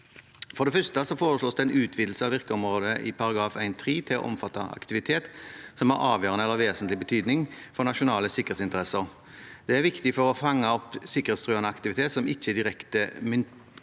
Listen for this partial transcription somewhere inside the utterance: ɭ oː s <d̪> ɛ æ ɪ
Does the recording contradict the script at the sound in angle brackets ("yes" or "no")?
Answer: no